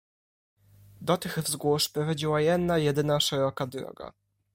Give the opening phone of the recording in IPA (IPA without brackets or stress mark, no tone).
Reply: d̪